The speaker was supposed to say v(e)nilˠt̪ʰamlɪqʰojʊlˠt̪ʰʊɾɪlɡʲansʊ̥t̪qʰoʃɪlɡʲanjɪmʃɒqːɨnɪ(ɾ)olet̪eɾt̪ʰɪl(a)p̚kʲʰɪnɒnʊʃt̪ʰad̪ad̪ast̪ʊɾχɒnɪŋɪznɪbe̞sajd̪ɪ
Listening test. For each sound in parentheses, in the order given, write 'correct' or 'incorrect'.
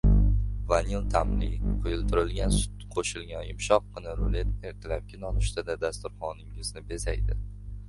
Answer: incorrect, correct, correct

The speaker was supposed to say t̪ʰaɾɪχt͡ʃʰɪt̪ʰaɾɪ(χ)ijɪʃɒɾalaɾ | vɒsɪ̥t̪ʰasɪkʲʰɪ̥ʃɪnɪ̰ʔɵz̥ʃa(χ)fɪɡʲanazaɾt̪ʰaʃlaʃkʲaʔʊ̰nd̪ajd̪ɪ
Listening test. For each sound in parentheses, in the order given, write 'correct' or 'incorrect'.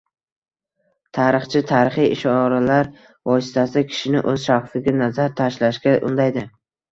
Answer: correct, correct

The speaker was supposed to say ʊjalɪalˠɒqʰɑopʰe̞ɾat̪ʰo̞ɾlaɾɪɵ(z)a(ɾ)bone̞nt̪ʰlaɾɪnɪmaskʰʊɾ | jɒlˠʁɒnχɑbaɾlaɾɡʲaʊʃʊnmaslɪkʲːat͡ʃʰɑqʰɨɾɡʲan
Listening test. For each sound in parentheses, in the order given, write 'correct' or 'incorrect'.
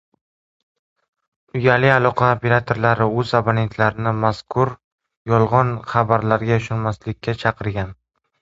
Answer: correct, incorrect

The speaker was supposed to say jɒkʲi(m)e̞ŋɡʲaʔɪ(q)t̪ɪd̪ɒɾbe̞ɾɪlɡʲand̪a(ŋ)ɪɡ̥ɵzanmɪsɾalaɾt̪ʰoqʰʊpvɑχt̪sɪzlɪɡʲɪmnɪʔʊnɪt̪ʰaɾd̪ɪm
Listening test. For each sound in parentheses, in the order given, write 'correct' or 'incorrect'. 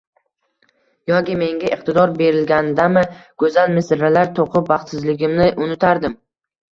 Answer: correct, correct, incorrect

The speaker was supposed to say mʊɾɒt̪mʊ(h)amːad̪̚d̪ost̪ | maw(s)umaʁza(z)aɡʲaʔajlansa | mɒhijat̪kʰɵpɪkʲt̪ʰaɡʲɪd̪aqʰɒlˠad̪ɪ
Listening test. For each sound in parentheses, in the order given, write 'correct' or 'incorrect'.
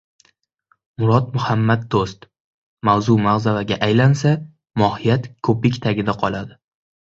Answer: correct, incorrect, incorrect

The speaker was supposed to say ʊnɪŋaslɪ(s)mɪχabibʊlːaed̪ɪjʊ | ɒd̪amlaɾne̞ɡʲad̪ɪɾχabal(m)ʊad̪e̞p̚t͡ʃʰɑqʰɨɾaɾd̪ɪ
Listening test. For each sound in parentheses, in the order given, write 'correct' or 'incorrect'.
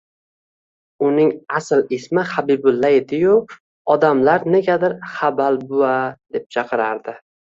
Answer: correct, incorrect

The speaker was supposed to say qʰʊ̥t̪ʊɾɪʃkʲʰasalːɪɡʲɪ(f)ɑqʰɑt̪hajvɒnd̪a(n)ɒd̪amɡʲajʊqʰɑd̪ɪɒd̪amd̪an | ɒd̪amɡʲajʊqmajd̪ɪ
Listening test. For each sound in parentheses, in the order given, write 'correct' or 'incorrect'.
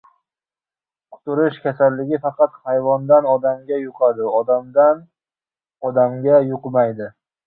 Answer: correct, correct

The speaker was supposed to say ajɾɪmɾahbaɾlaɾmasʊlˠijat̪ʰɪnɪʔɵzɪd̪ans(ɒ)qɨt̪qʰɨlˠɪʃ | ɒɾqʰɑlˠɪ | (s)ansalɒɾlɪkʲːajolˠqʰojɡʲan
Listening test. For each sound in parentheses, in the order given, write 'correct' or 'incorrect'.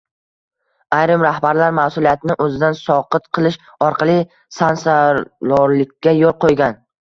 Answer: correct, correct

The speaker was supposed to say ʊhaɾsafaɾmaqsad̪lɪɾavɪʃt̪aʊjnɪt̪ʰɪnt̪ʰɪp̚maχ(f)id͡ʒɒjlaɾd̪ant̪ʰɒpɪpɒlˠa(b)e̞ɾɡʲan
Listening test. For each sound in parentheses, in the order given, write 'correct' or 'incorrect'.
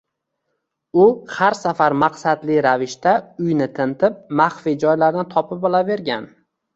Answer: correct, incorrect

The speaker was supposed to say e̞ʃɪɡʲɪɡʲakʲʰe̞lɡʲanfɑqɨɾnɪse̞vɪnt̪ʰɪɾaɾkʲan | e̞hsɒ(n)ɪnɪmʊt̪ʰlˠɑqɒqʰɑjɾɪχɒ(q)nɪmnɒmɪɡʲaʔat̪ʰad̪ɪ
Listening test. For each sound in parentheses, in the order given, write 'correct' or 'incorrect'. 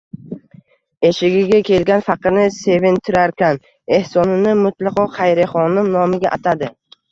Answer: correct, incorrect

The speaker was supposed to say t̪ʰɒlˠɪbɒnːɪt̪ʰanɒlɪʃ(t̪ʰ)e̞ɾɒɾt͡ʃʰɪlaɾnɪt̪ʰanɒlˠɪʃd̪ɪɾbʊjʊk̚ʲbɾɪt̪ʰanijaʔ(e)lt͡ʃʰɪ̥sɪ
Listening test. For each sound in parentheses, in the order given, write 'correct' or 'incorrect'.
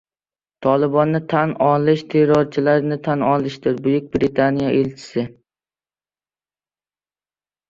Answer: correct, correct

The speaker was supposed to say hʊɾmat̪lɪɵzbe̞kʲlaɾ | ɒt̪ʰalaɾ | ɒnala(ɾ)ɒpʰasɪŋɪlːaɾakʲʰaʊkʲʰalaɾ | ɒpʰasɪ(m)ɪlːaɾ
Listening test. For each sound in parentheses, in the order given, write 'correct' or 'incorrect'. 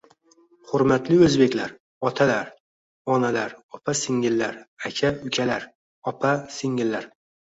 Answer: correct, incorrect

